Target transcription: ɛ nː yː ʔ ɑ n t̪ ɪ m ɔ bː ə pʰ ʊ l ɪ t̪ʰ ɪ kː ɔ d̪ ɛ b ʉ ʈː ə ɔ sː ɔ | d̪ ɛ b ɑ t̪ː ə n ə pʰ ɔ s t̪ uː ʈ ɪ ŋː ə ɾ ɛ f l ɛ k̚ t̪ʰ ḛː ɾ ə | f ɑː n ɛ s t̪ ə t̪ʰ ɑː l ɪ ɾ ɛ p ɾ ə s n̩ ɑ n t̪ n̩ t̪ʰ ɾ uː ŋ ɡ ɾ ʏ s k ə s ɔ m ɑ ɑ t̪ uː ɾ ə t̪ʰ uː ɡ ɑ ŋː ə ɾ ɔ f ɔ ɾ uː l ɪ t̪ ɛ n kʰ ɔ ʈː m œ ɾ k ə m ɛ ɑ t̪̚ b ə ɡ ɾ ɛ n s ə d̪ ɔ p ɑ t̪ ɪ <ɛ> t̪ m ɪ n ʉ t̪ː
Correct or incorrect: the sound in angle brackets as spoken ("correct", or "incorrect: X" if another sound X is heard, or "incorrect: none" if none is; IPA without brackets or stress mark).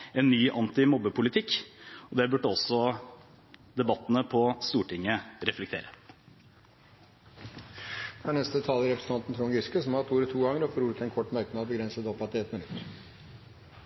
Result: correct